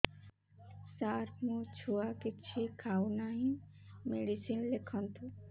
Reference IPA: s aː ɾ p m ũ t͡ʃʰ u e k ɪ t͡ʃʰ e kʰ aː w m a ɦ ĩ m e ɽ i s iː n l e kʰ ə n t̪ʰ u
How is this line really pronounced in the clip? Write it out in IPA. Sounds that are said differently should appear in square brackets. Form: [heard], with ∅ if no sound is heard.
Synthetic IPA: s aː ɾ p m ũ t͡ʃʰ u [a] k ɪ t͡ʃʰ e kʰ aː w [n] a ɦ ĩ m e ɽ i s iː n l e kʰ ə n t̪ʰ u